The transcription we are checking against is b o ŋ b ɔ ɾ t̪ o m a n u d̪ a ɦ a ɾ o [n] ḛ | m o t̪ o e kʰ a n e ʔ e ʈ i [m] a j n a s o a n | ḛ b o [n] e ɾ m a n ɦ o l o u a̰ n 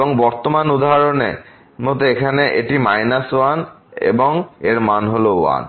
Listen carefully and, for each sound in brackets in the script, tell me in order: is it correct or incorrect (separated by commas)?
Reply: correct, correct, incorrect